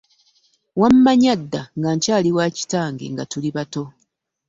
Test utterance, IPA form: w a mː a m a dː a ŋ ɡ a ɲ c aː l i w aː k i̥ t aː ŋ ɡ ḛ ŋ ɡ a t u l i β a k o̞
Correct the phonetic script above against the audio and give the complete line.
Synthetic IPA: w a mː a ɲ a dː a ŋ ɡ a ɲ c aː l i w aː c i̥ t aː ŋ ɡ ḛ ŋ ɡ a t u l i β a t o̞